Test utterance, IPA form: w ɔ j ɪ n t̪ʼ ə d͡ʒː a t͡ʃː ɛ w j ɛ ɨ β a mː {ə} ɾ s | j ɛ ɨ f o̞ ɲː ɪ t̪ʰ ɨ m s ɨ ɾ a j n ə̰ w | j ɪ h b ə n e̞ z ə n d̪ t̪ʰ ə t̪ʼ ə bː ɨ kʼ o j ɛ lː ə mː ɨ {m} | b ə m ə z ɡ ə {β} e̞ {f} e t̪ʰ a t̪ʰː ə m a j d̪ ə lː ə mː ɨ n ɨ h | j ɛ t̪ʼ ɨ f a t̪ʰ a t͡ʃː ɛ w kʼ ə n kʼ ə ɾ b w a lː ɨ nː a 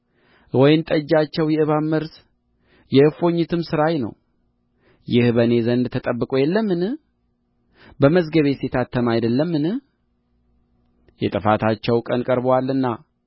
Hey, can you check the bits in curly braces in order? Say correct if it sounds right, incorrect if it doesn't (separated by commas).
correct, incorrect, correct, incorrect